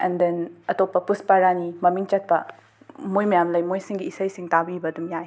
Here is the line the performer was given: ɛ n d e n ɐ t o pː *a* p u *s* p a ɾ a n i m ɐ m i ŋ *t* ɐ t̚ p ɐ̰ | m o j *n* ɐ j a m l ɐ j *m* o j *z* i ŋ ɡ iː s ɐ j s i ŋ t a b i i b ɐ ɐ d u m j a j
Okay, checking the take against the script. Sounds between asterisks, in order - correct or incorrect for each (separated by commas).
incorrect, correct, incorrect, incorrect, correct, incorrect